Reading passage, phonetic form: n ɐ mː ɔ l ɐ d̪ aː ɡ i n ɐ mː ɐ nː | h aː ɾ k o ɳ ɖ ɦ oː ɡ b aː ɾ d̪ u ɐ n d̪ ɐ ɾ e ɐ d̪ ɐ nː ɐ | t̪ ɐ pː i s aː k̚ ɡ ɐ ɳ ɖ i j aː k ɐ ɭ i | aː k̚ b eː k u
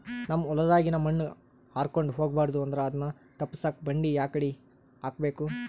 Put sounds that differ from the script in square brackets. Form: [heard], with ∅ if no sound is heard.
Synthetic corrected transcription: n ɐ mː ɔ l ɐ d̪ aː ɡ i n ɐ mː ɐ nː | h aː ɾ k o ɳ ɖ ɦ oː ɡ b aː ɾ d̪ u ɐ n d̪ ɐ ɾ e ɐ d̪ ɐ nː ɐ | t̪ ɐ pː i s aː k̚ [b] ɐ ɳ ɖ i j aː k ɐ [ɽ] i | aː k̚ b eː k u